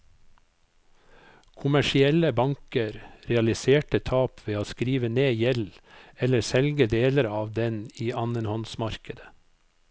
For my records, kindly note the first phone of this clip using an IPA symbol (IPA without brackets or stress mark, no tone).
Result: kʰ